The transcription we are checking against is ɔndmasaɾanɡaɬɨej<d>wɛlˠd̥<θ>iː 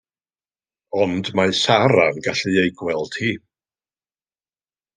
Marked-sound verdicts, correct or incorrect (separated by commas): incorrect, incorrect